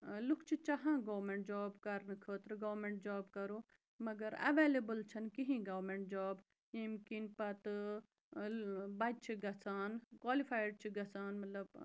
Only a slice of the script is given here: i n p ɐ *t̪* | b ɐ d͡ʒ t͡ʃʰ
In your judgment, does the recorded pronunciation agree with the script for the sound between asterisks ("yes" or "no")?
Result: yes